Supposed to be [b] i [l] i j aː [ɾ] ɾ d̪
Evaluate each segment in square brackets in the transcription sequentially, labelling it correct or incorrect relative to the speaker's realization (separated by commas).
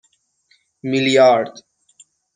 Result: incorrect, correct, correct